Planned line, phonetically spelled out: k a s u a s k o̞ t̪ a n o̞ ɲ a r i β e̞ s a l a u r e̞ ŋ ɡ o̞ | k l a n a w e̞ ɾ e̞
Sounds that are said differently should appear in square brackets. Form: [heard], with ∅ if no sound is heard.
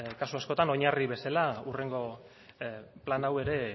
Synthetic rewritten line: k a s u a s k o̞ t̪ a n o̞ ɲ a r i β e̞ s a l a u r e̞ ŋ ɡ o̞ | [p] l a n a w e̞ ɾ e̞